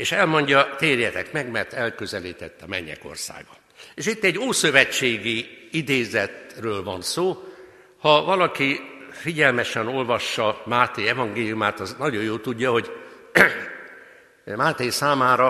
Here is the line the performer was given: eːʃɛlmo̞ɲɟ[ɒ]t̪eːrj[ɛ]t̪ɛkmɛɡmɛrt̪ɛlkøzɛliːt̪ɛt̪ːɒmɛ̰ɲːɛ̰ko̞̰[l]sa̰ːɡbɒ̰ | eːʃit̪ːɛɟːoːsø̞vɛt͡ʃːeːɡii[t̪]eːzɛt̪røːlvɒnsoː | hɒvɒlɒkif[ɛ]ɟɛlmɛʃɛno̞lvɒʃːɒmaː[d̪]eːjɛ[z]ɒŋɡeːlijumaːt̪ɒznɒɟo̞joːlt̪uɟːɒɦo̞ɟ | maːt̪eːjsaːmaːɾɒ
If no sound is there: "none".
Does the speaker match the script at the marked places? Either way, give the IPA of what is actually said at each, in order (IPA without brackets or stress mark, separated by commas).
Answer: ɒ, ɛ, r, d̪, i, t̪, v